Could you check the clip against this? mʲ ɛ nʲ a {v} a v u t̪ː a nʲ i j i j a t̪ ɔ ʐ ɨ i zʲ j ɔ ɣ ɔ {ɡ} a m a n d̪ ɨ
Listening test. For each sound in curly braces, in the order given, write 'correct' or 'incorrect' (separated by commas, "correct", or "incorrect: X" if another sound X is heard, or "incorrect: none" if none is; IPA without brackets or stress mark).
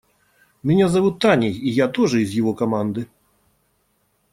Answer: incorrect: z, incorrect: k